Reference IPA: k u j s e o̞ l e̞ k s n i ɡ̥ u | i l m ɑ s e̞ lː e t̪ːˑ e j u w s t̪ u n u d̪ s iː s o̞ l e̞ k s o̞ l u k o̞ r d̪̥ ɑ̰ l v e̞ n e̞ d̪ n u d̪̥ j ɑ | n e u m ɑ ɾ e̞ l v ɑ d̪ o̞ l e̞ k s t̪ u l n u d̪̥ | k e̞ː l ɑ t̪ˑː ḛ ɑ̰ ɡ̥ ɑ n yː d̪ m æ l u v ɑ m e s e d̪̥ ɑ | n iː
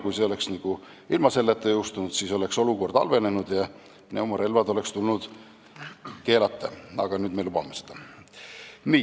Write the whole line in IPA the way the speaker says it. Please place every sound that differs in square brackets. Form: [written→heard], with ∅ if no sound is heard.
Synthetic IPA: k u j s e o̞ l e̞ k s n i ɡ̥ u | i l m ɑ s e̞ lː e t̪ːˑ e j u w s t̪ u n u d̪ s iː s o̞ l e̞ k s o̞ l u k o̞ r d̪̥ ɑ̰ l v e̞ n e̞ [d̪→∅] n u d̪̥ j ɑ | n e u m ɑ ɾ e̞ l v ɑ d̪ o̞ l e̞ k s t̪ u l n u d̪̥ | k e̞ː l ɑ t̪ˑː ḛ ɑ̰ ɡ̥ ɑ n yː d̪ m [æ→e] l u [v→b] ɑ m e s e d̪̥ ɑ | n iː

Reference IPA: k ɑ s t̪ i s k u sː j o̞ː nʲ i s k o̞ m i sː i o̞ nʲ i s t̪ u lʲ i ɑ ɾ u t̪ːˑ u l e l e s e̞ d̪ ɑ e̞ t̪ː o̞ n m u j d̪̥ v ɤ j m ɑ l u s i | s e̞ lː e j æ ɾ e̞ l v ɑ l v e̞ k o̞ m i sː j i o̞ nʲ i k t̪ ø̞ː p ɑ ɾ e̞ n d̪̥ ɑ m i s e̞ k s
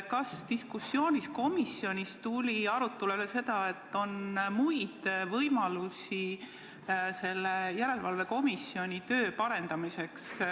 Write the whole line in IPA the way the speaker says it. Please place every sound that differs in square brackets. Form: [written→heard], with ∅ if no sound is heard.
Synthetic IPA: k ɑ s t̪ i s k u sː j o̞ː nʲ i s k o̞ m i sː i o̞ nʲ i s t̪ u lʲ i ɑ ɾ u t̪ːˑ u l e l e s e̞ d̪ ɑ e̞ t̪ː o̞ n m u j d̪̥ v ɤ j m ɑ l u s i | s e̞ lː e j æ ɾ e̞ l v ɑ l v e̞ k o̞ m i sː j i o̞ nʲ i [k→∅] t̪ ø̞ː p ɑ ɾ e̞ n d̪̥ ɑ m i s e̞ k s

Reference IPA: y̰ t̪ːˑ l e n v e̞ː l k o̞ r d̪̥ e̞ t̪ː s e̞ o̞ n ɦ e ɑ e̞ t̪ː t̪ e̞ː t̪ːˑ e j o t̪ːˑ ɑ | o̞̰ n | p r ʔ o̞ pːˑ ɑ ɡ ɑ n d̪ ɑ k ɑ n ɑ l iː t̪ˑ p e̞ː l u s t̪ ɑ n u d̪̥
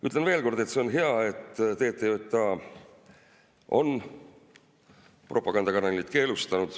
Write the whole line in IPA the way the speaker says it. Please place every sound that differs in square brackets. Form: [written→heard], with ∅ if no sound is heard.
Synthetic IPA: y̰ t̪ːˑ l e n v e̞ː l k o̞ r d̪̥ e̞ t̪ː s e̞ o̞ n ɦ e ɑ e̞ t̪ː t̪ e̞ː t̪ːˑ e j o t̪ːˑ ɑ | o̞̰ n | p r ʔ o̞ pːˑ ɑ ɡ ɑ n d̪ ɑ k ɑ n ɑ l [iː→i] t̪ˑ [p→k] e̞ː l u s t̪ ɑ n u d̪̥

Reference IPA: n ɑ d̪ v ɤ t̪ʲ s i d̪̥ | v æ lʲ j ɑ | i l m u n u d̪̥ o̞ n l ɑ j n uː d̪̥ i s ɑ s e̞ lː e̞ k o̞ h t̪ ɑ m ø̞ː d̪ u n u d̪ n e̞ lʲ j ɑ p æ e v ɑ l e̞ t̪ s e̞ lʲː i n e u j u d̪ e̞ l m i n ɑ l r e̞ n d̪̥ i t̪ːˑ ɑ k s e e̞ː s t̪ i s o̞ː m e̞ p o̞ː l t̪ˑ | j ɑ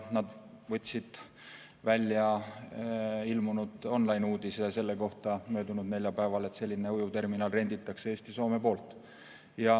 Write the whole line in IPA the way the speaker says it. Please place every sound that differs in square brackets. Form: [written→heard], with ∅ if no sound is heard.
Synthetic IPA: n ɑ d̪ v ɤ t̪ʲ s i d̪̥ | v æ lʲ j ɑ | i l m u n u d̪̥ o̞ n l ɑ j n uː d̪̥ i s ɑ s e̞ lː e̞ k o̞ h t̪ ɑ m ø̞ː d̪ u n u d̪ n e̞ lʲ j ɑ p æ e v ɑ l e̞ t̪ s e̞ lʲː i n e u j u [d̪→t̪] e̞ [l→r] m i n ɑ l r e̞ n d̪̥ i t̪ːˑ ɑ k s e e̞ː s t̪ i s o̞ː m e̞ p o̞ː l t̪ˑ | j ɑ

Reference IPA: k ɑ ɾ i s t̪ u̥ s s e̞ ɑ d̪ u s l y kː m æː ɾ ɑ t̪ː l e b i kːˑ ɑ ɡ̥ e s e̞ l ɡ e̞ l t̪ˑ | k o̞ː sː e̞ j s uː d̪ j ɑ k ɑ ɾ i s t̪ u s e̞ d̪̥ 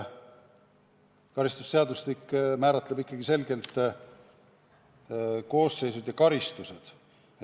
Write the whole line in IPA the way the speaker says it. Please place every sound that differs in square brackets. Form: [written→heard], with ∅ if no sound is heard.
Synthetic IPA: k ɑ ɾ i s t̪ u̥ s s e̞ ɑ d̪ u s l [y→i] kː m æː ɾ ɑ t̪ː l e b i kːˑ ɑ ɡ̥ [e→i] s e̞ l ɡ e̞ l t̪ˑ | k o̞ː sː e̞ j s [uː→u] d̪ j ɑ k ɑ ɾ i s t̪ u s e̞ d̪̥

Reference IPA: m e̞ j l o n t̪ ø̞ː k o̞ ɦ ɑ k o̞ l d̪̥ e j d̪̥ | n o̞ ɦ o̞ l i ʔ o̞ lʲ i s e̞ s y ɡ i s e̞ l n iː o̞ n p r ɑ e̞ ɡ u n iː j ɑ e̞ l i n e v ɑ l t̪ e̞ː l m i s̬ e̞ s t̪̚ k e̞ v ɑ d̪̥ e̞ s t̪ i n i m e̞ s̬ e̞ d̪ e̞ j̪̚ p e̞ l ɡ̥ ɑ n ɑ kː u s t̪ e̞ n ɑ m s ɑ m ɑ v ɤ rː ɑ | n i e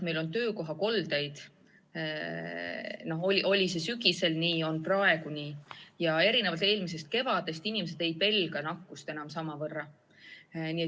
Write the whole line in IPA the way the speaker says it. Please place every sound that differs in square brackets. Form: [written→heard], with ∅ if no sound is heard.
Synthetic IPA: m e̞ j l o n t̪ ø̞ː k o̞ ɦ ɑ k o̞ l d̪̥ e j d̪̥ | n o̞ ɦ o̞ l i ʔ o̞ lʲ i s e̞ s y ɡ i s e̞ l n iː o̞ n p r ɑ e̞ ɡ u n iː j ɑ e̞ [l→ɾ] i n e v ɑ l t̪ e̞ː l m i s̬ e̞ s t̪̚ k e̞ v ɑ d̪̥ e̞ s t̪ i n i m e̞ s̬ e̞ d̪ e̞ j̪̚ p e̞ l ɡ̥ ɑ n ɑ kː u s t̪ e̞ n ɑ m s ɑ m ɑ v ɤ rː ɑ | n i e

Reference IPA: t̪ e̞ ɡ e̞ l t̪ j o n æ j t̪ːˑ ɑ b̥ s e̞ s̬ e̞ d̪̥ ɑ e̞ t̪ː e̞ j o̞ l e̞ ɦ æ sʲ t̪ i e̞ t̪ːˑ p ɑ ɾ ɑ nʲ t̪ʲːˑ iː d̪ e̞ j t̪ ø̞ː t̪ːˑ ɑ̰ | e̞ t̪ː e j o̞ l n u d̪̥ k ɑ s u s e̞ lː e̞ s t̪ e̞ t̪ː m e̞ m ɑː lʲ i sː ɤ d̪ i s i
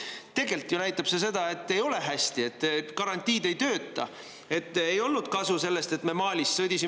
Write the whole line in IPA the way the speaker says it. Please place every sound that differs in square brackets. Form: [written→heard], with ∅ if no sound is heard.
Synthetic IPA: t̪ e̞ ɡ e̞ l t̪ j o n æ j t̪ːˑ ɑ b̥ s e̞ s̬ e̞ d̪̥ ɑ e̞ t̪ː e̞ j o̞ l e̞ ɦ æ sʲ t̪ i e̞ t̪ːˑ [p→k] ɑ ɾ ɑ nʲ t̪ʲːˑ iː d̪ e̞ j t̪ ø̞ː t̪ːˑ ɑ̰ | e̞ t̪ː e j o̞ l n u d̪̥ k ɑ s u s e̞ lː e̞ s t̪ e̞ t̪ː m e̞ m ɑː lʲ i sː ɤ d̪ i s i

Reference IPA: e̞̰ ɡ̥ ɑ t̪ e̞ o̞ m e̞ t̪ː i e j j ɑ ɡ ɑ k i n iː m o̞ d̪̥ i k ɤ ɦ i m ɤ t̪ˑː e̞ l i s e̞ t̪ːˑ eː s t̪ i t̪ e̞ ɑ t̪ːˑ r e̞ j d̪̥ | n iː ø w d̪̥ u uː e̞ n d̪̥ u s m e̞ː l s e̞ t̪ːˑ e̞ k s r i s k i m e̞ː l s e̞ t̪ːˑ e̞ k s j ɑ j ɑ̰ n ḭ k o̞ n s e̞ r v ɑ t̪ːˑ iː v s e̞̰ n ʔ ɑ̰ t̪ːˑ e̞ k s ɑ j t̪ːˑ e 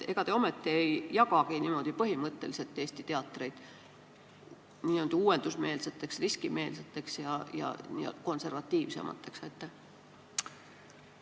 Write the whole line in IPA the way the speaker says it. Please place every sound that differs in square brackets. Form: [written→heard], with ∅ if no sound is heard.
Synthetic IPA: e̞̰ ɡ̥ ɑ t̪ e̞ o̞ m e̞ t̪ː i e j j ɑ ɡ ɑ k i n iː m o̞ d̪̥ i [k→p] ɤ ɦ i m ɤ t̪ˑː e̞ l i s e̞ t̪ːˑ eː s t̪ i t̪ e̞ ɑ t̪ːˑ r e̞ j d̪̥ | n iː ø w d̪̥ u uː e̞ n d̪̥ u s m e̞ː l s e̞ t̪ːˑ e̞ k s r i s k i m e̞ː l s e̞ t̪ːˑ e̞ k s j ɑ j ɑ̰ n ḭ k o̞ n s e̞ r v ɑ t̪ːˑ iː v s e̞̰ [n→m] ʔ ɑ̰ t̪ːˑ e̞ k s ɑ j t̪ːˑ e

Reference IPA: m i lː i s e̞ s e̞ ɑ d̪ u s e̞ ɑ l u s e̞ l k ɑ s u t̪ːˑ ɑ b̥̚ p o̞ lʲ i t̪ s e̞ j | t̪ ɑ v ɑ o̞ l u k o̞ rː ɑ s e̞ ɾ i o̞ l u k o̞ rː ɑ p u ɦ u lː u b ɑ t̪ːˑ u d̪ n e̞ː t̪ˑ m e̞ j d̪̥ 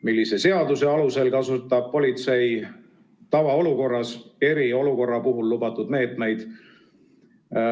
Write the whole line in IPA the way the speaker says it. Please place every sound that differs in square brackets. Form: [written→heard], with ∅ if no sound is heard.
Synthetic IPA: m i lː i s e̞ s e̞ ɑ d̪ u s e̞ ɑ l u s e̞ l k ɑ s u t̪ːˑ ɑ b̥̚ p o̞ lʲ i t̪ s e̞ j | t̪ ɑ v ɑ o̞ l u k o̞ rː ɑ s e̞ ɾ i o̞ l u k o̞ rː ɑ p u ɦ u lː u b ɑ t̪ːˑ u d̪ [n→m] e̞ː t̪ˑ m e̞ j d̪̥

